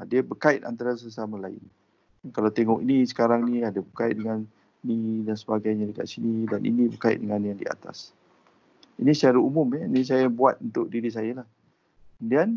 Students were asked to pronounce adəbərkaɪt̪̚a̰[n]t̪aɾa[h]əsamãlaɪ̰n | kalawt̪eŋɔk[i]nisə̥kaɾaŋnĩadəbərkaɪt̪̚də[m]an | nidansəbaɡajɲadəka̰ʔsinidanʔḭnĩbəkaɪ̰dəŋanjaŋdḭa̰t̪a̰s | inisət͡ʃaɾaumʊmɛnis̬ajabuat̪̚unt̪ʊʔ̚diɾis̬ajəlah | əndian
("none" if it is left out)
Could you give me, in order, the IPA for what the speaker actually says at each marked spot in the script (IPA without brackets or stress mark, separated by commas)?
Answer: n, s, i, ŋ